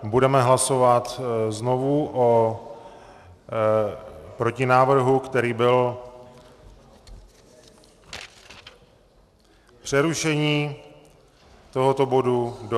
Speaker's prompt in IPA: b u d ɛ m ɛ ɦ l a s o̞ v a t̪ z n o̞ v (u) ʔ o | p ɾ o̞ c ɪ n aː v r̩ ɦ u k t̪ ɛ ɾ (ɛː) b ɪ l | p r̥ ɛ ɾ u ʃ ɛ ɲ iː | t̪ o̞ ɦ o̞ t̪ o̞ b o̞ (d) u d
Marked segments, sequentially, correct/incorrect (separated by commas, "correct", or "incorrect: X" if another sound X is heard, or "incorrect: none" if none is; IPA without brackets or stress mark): correct, incorrect: iː, correct